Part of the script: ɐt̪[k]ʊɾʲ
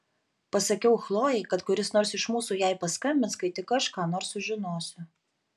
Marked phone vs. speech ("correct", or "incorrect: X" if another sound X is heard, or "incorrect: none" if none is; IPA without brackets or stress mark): correct